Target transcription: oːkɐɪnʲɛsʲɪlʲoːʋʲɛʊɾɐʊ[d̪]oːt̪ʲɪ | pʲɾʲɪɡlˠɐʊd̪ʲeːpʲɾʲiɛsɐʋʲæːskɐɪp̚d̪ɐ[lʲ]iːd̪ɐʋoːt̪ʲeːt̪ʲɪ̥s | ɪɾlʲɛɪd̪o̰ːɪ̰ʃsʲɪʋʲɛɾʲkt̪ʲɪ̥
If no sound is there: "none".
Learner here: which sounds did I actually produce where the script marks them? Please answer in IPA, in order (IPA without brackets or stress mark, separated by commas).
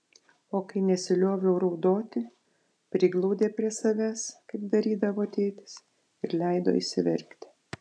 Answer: d̪, ɾʲ